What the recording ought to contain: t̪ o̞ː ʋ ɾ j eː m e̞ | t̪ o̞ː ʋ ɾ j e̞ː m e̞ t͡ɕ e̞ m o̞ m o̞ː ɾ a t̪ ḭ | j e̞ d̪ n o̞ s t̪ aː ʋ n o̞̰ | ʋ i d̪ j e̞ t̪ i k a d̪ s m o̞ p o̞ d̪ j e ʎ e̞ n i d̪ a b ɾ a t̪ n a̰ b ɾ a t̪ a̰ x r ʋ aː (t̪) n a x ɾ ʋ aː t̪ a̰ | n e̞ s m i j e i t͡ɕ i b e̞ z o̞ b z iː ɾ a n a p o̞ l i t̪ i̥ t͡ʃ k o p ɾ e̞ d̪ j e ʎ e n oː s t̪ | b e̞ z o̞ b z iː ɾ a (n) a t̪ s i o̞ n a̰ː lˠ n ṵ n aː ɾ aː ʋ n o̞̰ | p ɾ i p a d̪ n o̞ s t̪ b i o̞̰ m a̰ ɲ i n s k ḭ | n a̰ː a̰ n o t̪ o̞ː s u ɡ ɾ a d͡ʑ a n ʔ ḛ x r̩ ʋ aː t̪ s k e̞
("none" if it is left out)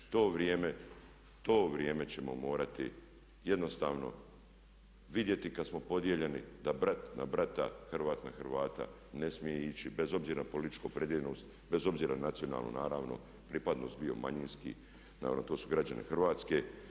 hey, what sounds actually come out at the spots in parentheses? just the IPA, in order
t̪, n

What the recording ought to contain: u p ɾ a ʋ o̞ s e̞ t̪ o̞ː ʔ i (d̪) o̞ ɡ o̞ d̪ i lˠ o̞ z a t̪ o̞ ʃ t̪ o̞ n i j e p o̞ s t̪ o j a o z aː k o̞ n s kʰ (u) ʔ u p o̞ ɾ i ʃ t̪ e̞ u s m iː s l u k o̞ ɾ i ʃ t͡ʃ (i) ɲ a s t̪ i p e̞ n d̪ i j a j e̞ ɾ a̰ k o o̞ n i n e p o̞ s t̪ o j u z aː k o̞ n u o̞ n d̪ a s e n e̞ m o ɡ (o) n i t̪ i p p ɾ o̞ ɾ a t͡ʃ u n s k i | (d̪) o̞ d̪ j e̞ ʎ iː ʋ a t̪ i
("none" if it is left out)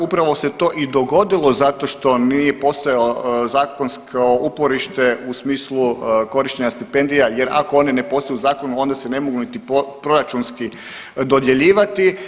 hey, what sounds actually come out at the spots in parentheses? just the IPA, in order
d̪, o, e, u, d̪

